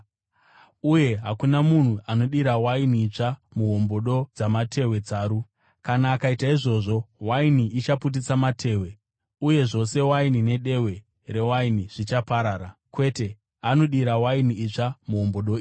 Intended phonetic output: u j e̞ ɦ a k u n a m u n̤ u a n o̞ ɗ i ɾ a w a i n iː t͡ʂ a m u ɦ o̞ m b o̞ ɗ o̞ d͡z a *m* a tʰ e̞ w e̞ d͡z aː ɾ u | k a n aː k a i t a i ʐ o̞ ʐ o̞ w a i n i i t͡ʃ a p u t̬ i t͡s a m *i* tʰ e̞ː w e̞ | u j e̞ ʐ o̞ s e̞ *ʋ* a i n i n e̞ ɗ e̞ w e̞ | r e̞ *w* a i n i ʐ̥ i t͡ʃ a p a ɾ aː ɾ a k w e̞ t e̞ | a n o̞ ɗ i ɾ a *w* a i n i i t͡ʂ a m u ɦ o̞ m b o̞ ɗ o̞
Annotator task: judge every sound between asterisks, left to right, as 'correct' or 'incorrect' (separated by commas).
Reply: correct, incorrect, incorrect, correct, correct